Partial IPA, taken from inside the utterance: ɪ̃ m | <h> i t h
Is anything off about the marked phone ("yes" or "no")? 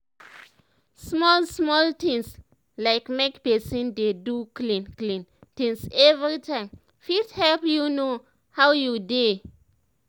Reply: yes